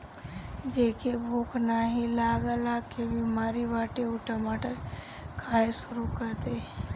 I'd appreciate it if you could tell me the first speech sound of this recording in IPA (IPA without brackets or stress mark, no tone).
d͡ʒ